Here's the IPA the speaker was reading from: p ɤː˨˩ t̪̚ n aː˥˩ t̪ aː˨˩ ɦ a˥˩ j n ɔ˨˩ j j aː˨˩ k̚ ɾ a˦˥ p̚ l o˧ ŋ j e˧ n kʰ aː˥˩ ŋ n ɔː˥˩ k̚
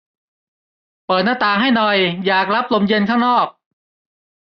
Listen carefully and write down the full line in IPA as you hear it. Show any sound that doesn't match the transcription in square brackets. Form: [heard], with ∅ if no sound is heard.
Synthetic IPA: p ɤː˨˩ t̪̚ n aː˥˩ t̪ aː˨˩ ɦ a˥˩ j n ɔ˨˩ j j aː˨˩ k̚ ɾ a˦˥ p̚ l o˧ [m] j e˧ n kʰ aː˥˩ ŋ n ɔː˥˩ k̚